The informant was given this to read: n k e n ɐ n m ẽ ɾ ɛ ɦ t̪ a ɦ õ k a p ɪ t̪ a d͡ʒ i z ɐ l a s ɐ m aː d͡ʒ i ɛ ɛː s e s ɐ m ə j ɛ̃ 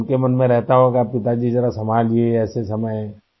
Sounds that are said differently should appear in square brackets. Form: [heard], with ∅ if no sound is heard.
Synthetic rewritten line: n k e [m] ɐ n m ẽ ɾ ɛ ɦ t̪ a ɦ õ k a p ɪ t̪ a d͡ʒ i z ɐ [ɾ] a s ɐ m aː d͡ʒ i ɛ ɛː s e s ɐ m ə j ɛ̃

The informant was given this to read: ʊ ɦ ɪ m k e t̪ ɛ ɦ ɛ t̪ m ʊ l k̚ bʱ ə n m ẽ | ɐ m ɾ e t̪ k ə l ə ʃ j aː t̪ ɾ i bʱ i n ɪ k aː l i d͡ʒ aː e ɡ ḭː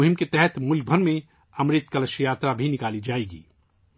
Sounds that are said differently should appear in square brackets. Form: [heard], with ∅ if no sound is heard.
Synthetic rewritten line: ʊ ɦ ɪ m k e t̪ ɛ ɦ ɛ t̪ m ʊ l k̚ bʱ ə n m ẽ | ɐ m ɾ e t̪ k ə l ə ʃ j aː t̪ ɾ [a] bʱ i n ɪ k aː l i d͡ʒ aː e ɡ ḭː

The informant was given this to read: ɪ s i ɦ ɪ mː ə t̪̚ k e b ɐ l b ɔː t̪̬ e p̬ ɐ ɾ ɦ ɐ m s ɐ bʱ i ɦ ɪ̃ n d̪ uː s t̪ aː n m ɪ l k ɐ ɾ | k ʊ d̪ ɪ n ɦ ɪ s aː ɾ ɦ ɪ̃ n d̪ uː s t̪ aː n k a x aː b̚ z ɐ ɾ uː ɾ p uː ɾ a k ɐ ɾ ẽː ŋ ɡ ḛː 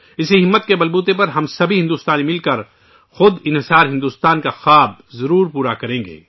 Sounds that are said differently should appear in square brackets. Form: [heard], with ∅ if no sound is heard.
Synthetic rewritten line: ɪ s i ɦ ɪ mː ə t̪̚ k e b ɐ l b [uː] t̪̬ e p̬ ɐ ɾ ɦ ɐ m s ɐ bʱ i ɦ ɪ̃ n d̪ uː s t̪ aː n m ɪ l k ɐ ɾ | [x] ʊ d̪ ɪ n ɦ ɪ s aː ɾ ɦ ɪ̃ n d̪ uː s t̪ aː n k a x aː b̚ z ɐ ɾ uː ɾ p uː ɾ a k ɐ ɾ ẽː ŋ ɡ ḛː

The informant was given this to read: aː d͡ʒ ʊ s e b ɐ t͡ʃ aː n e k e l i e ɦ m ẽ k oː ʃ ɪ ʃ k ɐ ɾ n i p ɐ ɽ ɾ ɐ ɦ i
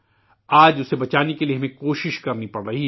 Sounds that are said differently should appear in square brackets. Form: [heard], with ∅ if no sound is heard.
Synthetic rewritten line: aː d͡ʒ ʊ s e b ɐ t͡ʃ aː n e k e l i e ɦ m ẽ k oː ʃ ɪ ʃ k ɐ ɾ n i p ɐ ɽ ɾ ɐ ɦ i

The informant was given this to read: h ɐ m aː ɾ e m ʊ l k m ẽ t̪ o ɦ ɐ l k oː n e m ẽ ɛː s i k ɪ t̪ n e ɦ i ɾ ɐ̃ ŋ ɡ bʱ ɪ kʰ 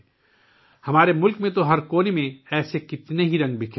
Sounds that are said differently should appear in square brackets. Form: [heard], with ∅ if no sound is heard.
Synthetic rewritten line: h ɐ m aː ɾ e m ʊ l k m ẽ t̪ o ɦ ɐ [ɾ] k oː n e m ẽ ɛː s [e] k ɪ t̪ n e ɦ i ɾ ɐ̃ ŋ ɡ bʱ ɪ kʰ

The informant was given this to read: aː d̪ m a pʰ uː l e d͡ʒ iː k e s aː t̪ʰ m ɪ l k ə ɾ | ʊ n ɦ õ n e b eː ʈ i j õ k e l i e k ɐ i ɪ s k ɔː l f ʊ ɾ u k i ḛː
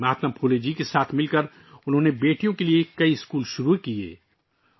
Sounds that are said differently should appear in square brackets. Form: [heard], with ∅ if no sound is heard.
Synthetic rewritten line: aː [t̪] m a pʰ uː l e d͡ʒ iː k e s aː t̪ʰ m ɪ l k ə ɾ | ʊ n ɦ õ n e b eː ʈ i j õ k e l i e k ɐ i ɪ s k [uː] l [ʃ] ʊ ɾ u k i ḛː

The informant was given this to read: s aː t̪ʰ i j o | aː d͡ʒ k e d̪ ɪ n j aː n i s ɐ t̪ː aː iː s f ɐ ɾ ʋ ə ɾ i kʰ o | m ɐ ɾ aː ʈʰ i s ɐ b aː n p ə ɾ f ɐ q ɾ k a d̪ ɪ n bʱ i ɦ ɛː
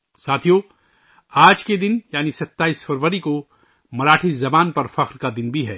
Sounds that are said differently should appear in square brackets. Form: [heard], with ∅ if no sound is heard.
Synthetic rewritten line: s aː t̪ʰ i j o | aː d͡ʒ k e d̪ ɪ n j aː n i s ɐ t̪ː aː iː s f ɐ ɾ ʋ ə ɾ i [k] o | m ɐ ɾ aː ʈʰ i [z] ɐ b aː n p [ɐ] ɾ f ɐ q ɾ k a d̪ ɪ n bʱ i ɦ ɛː

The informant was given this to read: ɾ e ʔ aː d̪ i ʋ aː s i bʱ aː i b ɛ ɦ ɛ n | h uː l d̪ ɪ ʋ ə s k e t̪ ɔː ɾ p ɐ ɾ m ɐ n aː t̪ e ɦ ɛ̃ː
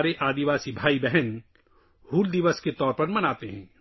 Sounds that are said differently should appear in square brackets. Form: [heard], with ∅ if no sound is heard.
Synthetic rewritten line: ɾ e ʔ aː d̪ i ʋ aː s i bʱ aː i b ɛ ɦ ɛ n | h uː l d̪ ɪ ʋ ə s k e t̪ ɔː ɾ p ɐ ɾ m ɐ n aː t̪ e ɦ ɛ̃ː

